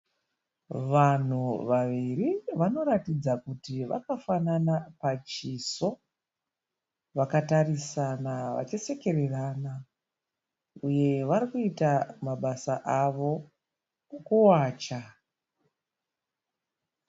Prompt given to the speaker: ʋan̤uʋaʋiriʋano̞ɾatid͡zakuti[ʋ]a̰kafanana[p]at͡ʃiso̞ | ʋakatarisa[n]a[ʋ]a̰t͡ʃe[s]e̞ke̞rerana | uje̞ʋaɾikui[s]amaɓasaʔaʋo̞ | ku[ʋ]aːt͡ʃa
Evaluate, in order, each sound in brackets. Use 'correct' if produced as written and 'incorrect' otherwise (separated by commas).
correct, correct, correct, correct, correct, incorrect, incorrect